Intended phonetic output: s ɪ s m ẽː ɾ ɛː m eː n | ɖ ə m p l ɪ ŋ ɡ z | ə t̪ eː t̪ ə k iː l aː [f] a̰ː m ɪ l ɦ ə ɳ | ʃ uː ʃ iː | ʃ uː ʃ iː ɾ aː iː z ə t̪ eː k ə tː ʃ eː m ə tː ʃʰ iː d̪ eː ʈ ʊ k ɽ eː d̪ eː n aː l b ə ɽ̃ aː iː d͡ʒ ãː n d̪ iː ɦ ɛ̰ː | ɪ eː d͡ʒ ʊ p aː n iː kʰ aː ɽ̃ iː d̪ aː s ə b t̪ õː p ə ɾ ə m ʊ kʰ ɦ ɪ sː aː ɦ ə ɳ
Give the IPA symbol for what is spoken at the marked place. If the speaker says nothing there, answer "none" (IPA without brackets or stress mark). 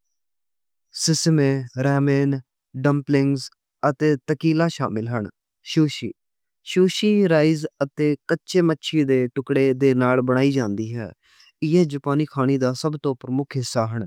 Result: ʃ